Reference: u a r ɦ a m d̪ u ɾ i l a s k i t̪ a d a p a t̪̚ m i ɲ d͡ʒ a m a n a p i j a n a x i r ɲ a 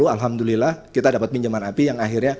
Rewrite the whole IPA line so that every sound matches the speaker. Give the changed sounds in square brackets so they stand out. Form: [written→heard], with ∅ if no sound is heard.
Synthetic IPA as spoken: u a [r→l] ɦ a m d̪ u [ɾ→l] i l a [s→h] k i t̪ a d a p a t̪̚ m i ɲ d͡ʒ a m a n a p i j a [n→ŋ] a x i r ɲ a